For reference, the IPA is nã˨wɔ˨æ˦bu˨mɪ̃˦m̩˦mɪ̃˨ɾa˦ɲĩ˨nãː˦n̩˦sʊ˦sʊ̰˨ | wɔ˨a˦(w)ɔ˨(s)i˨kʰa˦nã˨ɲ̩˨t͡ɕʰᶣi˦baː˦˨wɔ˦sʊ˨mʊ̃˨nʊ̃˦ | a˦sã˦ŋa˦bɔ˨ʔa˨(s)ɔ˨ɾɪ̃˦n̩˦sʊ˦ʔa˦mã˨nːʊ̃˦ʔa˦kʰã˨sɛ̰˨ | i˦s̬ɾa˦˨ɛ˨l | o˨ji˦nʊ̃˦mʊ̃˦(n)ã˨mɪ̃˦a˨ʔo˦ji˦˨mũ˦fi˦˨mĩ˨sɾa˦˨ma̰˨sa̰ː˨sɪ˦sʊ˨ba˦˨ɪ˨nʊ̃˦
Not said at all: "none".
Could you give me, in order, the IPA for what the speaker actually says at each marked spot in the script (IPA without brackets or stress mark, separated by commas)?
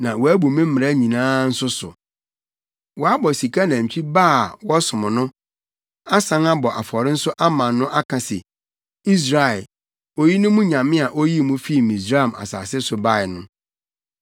b, s, f, ɲ